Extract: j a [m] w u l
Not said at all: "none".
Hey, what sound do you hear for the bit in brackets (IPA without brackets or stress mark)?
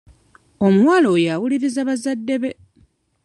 none